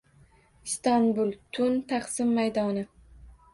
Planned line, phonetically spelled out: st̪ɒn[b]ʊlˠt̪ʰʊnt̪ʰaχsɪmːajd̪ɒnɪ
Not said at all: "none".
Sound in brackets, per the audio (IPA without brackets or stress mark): b